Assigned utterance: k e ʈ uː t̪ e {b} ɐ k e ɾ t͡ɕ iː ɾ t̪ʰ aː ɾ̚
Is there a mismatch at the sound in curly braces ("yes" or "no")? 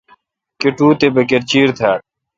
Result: no